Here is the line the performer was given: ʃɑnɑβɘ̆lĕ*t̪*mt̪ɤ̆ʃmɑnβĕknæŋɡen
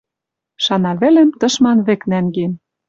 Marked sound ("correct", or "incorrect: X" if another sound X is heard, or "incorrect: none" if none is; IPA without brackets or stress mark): incorrect: none